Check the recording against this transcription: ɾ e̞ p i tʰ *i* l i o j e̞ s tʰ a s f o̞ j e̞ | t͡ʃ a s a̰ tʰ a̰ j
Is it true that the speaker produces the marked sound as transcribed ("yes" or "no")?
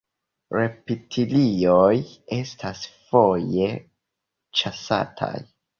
yes